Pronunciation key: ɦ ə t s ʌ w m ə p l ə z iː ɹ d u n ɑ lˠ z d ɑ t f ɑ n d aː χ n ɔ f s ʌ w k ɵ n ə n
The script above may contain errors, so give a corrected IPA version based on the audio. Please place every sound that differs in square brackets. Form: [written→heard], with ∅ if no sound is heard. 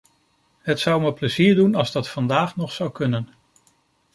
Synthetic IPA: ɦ ə t s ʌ w m ə p l ə z iː ɹ d u n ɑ lˠ z d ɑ t f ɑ n d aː χ n ɔ [f→χ] s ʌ w k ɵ n ə n